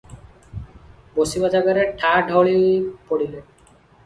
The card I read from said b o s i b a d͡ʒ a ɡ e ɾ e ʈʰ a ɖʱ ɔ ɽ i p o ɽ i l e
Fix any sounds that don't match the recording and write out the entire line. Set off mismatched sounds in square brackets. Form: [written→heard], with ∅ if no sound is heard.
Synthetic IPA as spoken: b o s i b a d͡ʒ a ɡ [e→a] ɾ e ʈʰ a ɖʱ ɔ [ɽ→ɭ] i p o ɽ i l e